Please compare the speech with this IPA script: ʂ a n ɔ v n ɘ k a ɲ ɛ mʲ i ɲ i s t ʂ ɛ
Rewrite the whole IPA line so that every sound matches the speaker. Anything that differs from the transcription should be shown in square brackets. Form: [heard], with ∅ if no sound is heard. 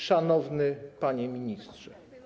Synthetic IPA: ʂ a n ɔ v n ɘ [p] a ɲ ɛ mʲ i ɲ i s t ʂ ɛ